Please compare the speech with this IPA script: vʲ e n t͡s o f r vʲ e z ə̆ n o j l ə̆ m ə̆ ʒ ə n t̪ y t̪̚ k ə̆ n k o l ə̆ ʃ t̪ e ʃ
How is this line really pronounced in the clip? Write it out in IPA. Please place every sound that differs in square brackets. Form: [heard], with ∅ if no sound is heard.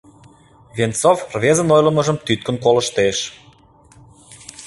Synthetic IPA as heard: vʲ e n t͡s o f r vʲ e z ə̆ n o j l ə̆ m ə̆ ʒ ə [m] t̪ y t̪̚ k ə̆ n k o l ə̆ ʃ t̪ e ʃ